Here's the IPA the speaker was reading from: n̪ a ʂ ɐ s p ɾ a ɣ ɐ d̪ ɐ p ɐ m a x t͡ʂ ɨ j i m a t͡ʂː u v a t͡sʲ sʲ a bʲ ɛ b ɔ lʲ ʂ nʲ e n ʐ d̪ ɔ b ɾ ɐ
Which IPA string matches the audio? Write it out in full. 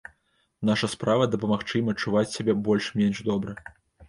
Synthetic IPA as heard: n̪ a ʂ ɐ s p ɾ a v ɐ d̪ ɐ p ɐ m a x t͡ʂ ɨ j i m ɐ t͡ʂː u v a t͡sʲ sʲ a bʲ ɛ b ɔ lʲ ʂ mʲ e n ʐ d̪ ɔ b ɾ ɐ